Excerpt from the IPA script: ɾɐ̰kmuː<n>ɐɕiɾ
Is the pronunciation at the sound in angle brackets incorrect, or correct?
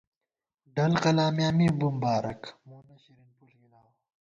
correct